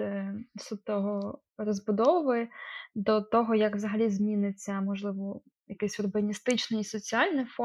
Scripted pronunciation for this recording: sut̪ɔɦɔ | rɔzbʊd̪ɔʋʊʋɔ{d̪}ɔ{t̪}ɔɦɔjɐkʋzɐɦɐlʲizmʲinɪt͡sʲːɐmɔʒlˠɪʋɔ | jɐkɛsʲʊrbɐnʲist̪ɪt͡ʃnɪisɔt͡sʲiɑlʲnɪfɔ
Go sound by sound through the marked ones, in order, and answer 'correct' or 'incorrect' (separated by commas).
correct, correct